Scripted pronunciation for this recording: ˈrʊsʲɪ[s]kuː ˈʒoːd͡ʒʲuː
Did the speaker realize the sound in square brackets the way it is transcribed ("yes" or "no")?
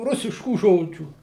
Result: no